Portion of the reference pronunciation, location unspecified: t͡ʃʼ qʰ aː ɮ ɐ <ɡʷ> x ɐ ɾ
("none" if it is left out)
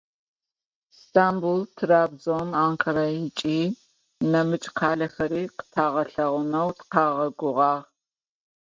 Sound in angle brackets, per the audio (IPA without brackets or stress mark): none